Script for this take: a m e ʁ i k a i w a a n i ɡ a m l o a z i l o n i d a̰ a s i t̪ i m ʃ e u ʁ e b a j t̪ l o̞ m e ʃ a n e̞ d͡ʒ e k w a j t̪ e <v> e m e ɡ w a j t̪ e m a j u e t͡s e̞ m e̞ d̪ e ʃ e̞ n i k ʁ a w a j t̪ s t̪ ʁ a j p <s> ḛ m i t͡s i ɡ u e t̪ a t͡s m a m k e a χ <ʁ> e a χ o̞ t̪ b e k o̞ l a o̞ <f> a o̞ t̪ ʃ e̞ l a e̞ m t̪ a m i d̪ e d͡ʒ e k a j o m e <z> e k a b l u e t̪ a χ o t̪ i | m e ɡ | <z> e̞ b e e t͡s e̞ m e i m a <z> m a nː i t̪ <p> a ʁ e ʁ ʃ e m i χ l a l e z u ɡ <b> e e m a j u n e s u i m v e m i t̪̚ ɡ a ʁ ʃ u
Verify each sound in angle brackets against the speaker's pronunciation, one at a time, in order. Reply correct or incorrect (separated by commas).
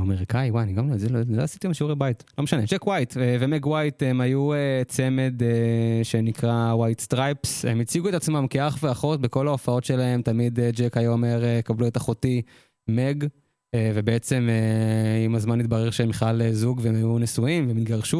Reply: correct, correct, incorrect, correct, incorrect, incorrect, correct, incorrect, incorrect